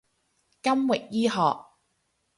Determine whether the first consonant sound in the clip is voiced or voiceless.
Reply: voiceless